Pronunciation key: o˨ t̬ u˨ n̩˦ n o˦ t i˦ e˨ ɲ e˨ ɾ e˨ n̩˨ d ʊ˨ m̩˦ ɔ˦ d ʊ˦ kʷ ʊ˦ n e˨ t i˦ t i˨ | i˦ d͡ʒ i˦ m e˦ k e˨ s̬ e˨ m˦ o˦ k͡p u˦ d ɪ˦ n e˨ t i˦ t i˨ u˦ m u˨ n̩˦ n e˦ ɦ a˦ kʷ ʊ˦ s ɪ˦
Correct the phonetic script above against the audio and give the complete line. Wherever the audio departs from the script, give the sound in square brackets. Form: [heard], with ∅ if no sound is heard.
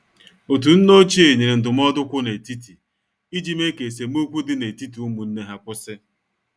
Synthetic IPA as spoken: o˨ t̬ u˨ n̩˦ n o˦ [t͡ʃ] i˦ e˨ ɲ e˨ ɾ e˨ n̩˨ d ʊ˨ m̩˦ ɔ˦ d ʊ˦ kʷ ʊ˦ n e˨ t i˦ t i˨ | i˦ d͡ʒ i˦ m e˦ k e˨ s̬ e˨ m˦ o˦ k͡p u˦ d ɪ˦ n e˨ t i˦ t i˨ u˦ m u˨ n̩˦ n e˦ ɦ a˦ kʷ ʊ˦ s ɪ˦